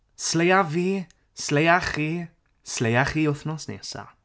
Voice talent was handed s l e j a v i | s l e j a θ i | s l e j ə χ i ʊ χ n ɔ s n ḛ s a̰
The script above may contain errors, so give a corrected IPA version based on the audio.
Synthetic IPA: s l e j a v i | s l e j a χ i | s l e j a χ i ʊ θ n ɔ s n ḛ s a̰